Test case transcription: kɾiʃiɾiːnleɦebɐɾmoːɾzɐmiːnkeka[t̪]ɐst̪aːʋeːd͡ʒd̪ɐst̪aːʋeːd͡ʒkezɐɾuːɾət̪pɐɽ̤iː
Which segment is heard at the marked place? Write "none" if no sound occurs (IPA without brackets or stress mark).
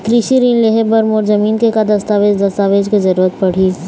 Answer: d̪